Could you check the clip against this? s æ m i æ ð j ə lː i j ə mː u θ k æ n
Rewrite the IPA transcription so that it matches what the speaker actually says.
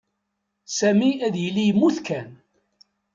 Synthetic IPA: s æ m i æ ð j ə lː i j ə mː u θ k æ n